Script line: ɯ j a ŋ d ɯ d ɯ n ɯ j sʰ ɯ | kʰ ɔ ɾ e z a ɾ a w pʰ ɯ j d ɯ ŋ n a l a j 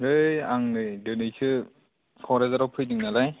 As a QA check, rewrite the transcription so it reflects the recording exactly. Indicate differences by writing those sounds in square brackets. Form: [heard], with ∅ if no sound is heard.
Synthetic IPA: ɯ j a ŋ [n] ɯ d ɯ n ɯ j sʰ ɯ | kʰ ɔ ɾ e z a ɾ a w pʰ ɯ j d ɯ ŋ n a l a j